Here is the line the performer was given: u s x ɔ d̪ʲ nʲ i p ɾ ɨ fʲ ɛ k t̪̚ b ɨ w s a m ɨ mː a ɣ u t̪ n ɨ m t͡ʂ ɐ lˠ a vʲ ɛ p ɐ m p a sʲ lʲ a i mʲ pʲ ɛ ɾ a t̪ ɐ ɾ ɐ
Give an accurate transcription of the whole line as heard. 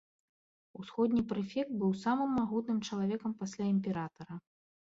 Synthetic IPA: u s x ɔ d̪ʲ nʲ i p ɾ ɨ fʲ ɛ k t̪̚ b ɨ w s a m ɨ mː a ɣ u t̪ n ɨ m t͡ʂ ɐ lˠ a vʲ ɛ k ɐ m p a sʲ lʲ a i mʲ pʲ ɛ ɾ a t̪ ɐ ɾ ɐ